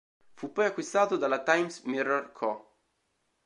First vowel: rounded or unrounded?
rounded